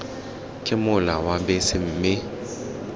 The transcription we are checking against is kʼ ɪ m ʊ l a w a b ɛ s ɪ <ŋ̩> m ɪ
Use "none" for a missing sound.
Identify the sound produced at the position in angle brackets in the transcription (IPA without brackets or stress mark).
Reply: m̩